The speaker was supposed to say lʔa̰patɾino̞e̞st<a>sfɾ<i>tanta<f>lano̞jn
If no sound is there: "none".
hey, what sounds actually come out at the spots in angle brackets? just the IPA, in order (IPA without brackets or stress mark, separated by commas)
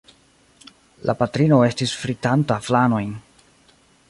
i, i, f